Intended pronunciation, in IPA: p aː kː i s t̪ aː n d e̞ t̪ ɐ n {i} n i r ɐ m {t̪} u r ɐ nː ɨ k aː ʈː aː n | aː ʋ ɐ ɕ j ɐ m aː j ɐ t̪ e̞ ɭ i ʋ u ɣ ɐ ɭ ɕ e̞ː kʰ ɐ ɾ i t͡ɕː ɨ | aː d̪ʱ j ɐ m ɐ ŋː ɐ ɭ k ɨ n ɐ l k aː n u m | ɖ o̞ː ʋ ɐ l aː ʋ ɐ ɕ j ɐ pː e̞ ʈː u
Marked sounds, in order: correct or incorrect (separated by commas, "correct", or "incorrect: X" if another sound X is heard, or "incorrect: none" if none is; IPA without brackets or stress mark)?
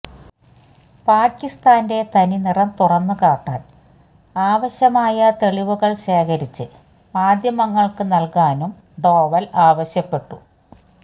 correct, correct